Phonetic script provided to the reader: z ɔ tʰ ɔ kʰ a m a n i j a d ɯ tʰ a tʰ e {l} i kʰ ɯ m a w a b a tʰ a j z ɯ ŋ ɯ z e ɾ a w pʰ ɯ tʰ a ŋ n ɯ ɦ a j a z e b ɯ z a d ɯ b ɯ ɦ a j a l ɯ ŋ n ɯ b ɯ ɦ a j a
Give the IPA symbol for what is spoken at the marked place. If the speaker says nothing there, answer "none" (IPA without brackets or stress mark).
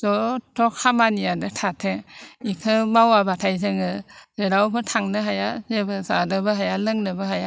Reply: none